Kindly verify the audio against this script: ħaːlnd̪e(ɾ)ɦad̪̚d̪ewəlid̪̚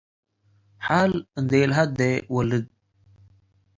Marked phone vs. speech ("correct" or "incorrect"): incorrect